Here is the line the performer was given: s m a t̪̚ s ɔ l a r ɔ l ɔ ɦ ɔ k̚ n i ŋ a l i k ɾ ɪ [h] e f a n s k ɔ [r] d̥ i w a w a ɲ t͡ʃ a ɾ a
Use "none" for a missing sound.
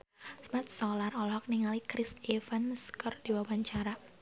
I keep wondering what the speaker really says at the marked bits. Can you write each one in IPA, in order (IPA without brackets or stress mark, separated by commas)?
s, r